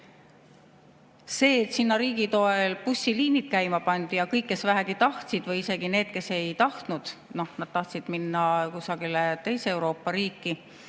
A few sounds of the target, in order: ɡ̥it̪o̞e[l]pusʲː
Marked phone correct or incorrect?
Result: correct